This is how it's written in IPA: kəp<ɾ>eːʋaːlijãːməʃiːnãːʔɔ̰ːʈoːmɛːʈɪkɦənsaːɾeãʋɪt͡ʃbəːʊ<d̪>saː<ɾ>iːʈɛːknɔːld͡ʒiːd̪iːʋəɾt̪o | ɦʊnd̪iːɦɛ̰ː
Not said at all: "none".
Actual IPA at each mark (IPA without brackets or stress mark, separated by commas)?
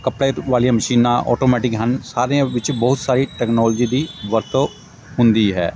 ɽ, t̪, ɾ